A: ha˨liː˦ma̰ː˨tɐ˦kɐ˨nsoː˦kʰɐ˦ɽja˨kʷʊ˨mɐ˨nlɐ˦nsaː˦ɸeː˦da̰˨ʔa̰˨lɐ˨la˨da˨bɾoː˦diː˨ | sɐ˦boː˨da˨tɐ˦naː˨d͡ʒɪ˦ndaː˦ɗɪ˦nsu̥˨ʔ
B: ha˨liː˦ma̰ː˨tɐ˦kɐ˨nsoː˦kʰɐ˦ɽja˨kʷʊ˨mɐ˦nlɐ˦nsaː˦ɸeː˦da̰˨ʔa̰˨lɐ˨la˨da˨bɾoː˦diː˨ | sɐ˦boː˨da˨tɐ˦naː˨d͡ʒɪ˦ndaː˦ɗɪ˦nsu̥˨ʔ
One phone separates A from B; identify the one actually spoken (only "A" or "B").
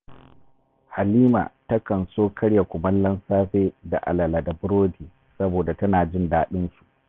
B